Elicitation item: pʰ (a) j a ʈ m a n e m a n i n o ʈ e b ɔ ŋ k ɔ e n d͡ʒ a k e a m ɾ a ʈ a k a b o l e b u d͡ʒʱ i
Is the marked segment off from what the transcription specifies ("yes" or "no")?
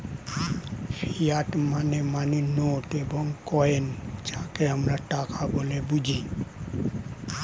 yes